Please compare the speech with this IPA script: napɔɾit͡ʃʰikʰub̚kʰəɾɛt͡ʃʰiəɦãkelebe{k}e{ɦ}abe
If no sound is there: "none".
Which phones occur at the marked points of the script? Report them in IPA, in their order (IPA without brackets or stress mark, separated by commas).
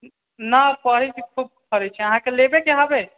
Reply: k, ɦ